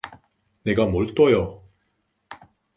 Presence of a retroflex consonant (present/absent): present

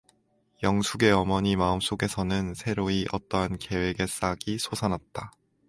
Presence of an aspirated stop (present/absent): absent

